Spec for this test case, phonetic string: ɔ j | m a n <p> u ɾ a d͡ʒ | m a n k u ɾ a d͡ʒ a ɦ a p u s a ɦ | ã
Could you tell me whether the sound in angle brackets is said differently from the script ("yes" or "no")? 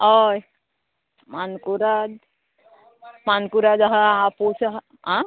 yes